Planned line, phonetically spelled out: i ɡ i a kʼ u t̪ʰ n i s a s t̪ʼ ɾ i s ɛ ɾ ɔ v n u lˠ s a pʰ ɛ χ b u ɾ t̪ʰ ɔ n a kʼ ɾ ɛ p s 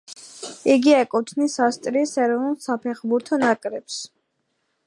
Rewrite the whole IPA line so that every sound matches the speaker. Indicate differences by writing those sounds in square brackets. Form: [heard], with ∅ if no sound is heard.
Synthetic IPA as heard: i ɡ i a kʼ u t̪ʰ n i s a s t̪ʼ ɾ i s ɛ ɾ ɔ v n u lˠ s a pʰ ɛ χ b u ɾ t̪ʰ ɔ n a kʼ ɾ ɛ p s